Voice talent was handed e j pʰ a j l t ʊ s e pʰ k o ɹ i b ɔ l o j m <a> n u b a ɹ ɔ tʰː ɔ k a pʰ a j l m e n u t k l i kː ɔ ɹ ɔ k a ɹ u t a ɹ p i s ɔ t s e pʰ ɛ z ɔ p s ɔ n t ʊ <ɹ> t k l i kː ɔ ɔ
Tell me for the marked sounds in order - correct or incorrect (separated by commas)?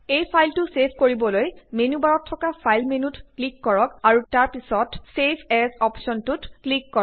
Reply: incorrect, incorrect